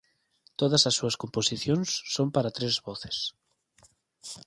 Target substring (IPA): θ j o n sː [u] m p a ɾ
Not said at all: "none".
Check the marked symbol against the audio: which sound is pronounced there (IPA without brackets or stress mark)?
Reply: o